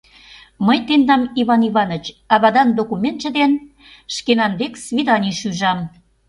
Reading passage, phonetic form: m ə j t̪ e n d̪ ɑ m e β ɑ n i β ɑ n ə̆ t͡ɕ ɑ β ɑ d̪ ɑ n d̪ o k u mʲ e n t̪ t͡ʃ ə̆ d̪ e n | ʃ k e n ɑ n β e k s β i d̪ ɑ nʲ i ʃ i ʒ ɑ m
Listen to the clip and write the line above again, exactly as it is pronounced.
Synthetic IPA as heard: m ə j t̪ e n d̪ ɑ m i β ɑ n i β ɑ n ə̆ t͡ɕ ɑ β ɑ d̪ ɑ n d̪ o k u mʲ e n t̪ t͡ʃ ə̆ d̪ e n | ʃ k e n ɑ n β e k s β i d̪ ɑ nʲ i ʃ y ʒ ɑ m